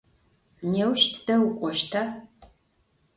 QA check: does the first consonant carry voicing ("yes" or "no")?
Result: yes